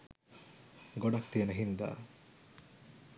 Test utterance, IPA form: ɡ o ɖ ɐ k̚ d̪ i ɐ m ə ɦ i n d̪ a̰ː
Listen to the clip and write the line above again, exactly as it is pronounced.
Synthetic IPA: ɡ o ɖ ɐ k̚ t̪ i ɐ n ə ɦ i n d̪ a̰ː

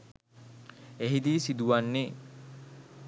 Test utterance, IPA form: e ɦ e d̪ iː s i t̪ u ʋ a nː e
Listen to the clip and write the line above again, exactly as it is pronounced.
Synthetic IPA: e ɦ i d̪ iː s i d̪ u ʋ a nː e

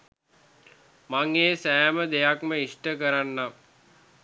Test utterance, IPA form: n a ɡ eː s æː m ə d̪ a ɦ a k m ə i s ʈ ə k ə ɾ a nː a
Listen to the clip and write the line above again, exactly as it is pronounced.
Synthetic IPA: m a ŋ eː s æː m ə d̪ e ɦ a k m ə i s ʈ ə k ə ɾ a nː a

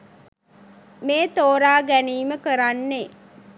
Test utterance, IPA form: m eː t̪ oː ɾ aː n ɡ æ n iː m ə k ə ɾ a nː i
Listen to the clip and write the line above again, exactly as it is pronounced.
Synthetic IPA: m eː t̪ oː ɾ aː ɡ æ n iː m ə k ə ɾ a nː e

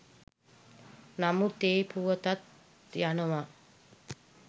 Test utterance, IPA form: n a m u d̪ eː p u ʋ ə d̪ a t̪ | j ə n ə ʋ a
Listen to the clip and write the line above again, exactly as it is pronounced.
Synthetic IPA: n a m u t̪ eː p u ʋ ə t̪ a t̪ | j a n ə ʋ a

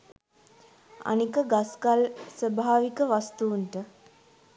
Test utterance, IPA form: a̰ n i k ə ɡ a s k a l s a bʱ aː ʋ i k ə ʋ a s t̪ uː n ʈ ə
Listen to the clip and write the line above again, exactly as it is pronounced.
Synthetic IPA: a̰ n i k ə ɡ a s k a l s ə bʱ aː ʋ i k ə ʋ a s t̪ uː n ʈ ə

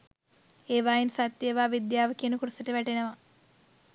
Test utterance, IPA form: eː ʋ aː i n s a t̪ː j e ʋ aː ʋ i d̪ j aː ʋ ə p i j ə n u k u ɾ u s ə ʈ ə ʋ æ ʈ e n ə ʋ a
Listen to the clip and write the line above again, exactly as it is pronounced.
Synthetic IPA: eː ʋ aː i n s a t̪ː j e ʋ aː ʋ i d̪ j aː ʋ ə k i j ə n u k u ɾ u s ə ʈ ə ʋ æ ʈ e n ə ʋ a

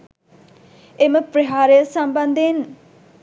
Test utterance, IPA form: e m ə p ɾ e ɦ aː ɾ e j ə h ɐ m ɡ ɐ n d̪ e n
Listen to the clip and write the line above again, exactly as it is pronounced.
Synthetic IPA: e m ə p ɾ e ɦ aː ɾ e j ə s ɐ m b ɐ n d̪ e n

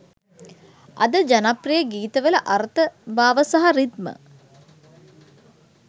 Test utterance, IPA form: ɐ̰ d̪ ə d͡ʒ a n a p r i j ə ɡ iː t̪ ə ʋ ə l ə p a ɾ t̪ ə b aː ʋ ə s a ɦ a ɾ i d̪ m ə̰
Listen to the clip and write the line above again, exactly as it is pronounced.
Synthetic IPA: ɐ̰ d̪ ə d͡ʒ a n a p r i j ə ɡ iː t̪ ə ʋ ə l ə ʔ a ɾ t̪ ə b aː ʋ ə s a ɦ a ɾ i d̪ m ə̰

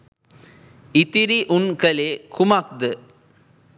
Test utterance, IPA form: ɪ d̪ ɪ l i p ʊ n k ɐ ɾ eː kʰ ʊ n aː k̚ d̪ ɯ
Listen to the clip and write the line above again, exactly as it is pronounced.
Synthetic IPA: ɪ t̪ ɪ ɾ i ʔ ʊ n k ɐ l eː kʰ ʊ m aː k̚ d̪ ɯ

